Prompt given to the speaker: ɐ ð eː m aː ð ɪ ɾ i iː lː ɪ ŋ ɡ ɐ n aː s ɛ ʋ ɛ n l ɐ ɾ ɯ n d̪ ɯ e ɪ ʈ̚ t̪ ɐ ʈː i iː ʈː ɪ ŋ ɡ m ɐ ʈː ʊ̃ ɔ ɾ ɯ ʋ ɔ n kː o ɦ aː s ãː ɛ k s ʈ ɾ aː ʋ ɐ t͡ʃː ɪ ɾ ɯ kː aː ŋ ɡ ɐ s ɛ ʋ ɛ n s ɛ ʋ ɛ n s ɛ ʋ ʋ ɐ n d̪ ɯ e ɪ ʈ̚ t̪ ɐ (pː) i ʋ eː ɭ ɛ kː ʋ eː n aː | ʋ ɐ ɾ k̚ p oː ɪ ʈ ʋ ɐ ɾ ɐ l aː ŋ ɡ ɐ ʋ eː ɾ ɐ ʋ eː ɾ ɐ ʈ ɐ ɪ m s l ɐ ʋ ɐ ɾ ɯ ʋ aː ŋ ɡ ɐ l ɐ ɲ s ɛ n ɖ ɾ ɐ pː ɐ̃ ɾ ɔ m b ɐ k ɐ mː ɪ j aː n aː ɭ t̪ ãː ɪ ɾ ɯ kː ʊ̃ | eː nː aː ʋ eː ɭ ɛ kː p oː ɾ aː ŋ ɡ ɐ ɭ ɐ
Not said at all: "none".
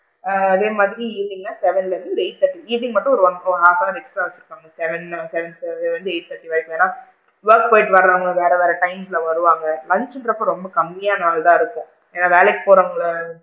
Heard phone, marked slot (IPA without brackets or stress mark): ʈː